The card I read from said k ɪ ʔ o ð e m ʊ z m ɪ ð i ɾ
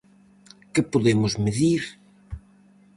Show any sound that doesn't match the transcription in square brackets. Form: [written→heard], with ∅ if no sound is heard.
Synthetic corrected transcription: k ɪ [ʔ→p] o ð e m ʊ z m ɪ ð i ɾ